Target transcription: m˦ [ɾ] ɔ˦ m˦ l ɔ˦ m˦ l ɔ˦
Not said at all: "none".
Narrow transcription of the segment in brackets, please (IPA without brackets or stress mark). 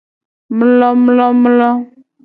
l